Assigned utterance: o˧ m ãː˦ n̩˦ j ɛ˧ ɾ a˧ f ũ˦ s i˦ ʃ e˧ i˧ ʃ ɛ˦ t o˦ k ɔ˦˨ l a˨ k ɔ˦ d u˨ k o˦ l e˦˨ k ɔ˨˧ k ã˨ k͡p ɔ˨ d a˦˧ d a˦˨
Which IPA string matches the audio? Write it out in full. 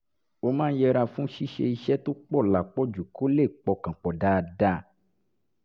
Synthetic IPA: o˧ m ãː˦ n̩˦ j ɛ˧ ɾ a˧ f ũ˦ ʃ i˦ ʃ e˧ i˧ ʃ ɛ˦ t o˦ k͡p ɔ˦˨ l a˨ k͡p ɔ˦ d͡ʒ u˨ k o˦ l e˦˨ k͡p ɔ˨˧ k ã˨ k͡p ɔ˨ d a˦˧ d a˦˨